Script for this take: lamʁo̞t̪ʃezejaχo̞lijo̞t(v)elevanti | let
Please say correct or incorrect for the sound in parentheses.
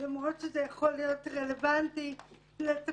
incorrect